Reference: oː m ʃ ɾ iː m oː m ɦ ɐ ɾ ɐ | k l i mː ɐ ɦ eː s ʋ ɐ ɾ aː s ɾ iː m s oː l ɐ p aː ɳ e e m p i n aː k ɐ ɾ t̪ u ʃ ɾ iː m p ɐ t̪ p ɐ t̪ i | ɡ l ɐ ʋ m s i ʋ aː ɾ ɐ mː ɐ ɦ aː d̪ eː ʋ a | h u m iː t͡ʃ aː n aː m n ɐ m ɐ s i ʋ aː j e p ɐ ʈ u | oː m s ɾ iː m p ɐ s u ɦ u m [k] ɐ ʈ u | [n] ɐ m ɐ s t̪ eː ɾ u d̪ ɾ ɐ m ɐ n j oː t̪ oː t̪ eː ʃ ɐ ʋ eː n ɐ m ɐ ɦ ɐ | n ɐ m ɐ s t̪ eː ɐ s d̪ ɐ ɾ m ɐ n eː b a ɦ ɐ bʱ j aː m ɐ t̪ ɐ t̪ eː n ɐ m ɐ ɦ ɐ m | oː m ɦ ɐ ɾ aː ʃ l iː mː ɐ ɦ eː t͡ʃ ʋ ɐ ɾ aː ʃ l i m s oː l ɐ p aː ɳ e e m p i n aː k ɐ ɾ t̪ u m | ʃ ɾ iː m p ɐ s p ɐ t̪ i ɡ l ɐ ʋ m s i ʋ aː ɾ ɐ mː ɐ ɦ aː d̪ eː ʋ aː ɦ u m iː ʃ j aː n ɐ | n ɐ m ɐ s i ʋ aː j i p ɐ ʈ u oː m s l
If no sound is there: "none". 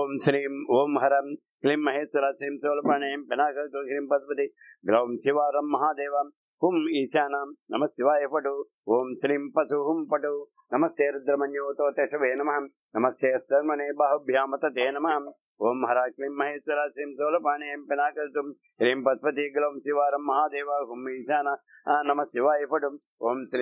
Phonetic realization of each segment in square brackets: p, n

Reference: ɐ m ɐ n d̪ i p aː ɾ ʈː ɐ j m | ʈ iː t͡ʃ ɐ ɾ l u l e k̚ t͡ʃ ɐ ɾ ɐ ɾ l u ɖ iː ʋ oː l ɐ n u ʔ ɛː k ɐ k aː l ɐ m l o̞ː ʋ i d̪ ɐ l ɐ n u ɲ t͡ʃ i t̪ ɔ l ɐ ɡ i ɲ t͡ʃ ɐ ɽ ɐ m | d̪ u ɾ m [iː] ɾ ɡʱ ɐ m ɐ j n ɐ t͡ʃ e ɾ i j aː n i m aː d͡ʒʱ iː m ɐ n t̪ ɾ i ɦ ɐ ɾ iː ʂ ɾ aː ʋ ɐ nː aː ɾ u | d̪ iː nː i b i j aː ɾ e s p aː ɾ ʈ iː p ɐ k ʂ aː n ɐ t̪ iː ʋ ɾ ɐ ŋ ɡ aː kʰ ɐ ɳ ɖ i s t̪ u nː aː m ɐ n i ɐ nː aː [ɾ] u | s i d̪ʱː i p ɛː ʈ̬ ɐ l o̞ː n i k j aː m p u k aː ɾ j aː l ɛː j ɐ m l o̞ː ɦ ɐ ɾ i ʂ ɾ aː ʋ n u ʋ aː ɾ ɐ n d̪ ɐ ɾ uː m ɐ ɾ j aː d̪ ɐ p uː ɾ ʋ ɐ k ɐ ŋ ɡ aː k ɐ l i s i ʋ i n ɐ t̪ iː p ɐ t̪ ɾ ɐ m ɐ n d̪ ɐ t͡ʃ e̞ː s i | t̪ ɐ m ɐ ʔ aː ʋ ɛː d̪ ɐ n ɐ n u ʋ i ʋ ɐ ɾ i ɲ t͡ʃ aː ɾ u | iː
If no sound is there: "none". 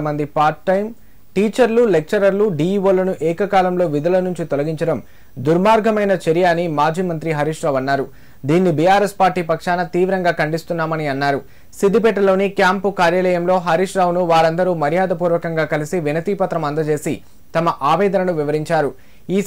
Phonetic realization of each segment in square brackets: aː, ɾ

